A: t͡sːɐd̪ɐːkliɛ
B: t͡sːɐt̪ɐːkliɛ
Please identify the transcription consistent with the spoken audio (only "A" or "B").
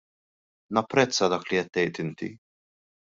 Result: A